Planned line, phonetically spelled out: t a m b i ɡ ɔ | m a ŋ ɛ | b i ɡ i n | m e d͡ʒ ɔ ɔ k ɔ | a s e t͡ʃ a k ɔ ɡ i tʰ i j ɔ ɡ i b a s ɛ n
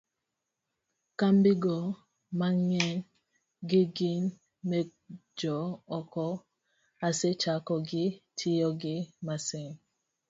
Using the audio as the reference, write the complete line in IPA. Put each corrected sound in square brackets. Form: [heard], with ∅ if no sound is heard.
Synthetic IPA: [k] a m b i ɡ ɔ | m a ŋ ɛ | [ɡ] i ɡ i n | m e d͡ʒ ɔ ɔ k ɔ | a s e t͡ʃ a k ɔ ɡ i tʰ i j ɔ ɡ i [m] a s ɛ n